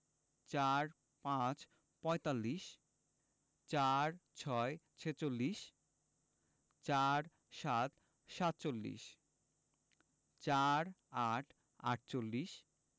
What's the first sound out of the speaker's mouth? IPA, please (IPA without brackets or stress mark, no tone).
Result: t͡ɕ